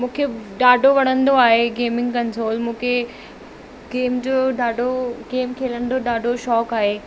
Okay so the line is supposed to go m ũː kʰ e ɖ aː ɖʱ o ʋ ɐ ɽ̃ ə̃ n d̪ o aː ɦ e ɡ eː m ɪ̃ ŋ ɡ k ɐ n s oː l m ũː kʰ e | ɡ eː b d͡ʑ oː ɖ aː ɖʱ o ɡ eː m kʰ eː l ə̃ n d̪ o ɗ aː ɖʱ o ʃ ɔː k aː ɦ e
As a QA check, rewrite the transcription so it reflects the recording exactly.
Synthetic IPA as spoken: m ũː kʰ e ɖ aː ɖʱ o ʋ ɐ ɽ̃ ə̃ n d̪ o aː ɦ e ɡ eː m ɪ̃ ŋ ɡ k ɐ n s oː l m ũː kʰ e | ɡ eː m d͡ʑ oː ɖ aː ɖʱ o ɡ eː m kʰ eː l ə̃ n d̪ o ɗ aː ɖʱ o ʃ ɔː k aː ɦ e